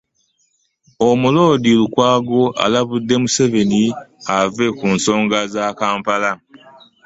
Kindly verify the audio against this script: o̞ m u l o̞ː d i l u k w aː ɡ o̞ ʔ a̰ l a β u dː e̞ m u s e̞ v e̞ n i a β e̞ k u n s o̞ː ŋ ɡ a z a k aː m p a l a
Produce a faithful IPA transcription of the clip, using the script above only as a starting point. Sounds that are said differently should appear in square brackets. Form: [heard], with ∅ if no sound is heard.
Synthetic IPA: o̞ m u l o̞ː d i l u k w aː ɡ o̞ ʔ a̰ l a β u dː e̞ m u s e̞ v e̞ n i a [v] e̞ k u n s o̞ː ŋ ɡ a z a k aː m p a l a